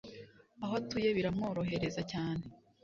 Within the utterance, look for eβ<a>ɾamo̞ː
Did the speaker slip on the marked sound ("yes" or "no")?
yes